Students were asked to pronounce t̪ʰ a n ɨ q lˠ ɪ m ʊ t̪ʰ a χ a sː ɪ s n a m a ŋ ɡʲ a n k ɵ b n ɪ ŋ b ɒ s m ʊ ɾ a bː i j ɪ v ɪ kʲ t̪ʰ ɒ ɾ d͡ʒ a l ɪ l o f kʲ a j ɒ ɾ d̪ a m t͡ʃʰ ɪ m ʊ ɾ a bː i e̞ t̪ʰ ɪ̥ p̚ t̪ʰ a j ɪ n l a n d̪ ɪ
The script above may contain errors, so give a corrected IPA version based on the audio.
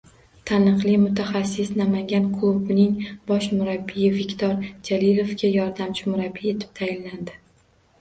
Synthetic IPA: t̪ʰ a n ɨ q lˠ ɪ m ʊ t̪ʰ a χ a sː ɪ s n a m a ŋ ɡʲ a n kʰ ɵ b n ɪ ŋ b ɒ ʃ m ʊ ɾ a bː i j ɪ v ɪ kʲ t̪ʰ ɒ ɾ d͡ʒ a l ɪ l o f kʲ a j ɒ ɾ d̪ a m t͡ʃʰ ɪ m ʊ ɾ a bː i e̞ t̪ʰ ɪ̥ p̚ t̪ʰ a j ɪ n l a n d̪ ɪ